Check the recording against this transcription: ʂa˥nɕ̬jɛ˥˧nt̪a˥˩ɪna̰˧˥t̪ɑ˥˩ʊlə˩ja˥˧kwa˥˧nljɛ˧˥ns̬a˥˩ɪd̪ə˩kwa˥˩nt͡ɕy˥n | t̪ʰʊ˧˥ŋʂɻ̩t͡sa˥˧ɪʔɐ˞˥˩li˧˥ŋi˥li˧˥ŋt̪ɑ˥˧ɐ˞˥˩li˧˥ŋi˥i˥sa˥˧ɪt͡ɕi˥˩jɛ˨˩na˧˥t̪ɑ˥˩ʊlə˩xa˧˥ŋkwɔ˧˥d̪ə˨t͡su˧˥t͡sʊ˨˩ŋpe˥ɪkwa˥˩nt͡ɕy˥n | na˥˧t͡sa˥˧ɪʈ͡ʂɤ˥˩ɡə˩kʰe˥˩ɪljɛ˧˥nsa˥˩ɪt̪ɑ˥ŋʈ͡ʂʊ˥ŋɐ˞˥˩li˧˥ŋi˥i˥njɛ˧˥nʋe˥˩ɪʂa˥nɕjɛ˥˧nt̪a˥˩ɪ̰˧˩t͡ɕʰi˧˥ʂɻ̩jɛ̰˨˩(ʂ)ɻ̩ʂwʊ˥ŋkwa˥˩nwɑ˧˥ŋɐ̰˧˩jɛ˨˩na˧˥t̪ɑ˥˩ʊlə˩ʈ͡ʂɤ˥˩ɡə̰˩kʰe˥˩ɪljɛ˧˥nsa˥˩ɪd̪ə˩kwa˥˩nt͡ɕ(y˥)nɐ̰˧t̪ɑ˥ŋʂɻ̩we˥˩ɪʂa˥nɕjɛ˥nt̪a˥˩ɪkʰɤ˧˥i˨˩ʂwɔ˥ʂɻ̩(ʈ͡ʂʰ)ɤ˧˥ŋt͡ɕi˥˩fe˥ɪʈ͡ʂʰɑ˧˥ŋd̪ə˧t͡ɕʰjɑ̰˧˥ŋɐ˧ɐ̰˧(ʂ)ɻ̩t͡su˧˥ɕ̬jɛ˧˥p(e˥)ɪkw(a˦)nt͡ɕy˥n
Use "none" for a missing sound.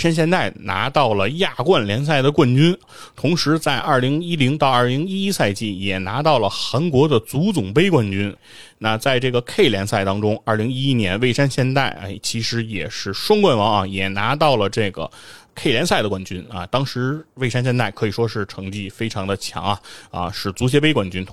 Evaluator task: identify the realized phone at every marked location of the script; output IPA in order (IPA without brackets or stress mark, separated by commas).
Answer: ʂ, y˥, ʈ͡ʂʰ, ʂ, e˥, a˥˩